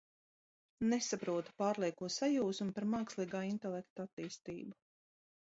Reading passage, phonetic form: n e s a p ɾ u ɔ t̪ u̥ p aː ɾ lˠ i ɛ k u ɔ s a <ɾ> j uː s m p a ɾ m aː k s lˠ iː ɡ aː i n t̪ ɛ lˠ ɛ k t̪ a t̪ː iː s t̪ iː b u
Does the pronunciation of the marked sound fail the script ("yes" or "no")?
yes